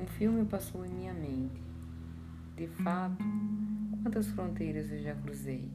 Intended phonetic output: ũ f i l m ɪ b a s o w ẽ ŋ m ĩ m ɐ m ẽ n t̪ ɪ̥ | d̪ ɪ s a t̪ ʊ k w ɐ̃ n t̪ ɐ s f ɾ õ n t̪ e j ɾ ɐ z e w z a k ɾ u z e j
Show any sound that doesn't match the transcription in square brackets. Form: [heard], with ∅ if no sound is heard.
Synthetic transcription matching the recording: ũ f i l m ɪ [p] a s o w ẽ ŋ m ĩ [ɲ] ɐ m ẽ n t̪ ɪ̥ | d̪ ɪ [f] a t̪ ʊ k w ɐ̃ n t̪ ɐ s f ɾ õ n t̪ e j ɾ ɐ z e w [ʒ] a k ɾ u z e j